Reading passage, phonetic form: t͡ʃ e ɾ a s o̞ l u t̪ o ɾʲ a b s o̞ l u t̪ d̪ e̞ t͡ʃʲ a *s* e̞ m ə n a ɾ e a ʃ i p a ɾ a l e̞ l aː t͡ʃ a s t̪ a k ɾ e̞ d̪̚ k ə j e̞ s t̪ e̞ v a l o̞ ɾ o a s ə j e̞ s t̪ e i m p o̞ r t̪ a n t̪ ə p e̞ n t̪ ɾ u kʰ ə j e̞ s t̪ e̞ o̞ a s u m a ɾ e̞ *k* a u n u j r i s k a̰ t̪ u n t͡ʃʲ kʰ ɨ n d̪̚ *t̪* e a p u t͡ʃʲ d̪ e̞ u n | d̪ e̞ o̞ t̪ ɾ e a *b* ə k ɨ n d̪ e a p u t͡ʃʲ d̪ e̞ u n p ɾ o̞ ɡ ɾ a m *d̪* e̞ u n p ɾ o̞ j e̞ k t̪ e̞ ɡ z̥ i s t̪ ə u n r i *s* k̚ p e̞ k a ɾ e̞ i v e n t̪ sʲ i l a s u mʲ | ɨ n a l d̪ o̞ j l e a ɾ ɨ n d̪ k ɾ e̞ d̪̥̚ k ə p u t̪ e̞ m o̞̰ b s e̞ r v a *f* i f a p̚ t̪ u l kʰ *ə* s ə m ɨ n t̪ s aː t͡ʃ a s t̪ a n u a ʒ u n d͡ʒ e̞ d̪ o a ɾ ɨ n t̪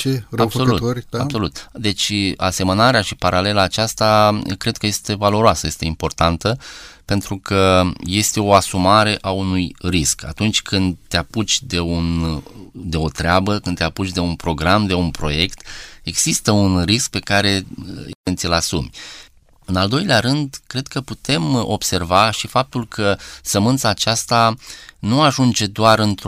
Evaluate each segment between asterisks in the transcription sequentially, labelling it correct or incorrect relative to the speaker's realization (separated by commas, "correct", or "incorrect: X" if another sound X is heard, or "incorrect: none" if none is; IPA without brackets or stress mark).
correct, incorrect: ʔ, correct, correct, correct, correct, incorrect: ʃ, correct